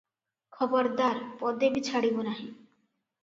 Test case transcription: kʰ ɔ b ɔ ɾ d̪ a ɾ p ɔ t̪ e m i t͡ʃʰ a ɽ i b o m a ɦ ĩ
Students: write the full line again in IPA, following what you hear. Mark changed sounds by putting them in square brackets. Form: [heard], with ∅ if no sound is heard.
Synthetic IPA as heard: kʰ ɔ b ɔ ɾ d̪ a ɾ p ɔ [d̪] e [b] i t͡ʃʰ a ɽ i b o [n] a ɦ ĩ